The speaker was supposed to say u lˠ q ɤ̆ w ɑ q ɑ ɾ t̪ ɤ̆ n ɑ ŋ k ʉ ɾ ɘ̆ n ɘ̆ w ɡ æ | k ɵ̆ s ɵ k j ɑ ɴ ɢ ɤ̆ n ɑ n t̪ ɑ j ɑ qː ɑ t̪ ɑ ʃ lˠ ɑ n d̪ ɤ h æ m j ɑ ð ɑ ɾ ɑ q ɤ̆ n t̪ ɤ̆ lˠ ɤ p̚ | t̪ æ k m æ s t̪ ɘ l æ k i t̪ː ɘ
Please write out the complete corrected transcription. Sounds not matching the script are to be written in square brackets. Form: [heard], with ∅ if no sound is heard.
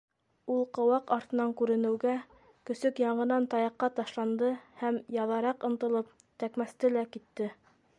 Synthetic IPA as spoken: u lˠ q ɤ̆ w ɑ q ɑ ɾ t̪ ɤ̆ n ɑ ŋ k ʉ ɾ ɘ̆ n ɘ̆ w ɡ æ | k ɵ̆ s ɵ k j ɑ ɴ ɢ ɤ̆ n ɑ n t̪ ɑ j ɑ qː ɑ t̪ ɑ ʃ lˠ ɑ n d̪ ɤ h æ m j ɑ ð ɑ ɾ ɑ q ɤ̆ n t̪ ɤ̆ lˠ ɤ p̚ | t̪ æ k m æ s t̪ ɘ l æ k i t̪ː ɘ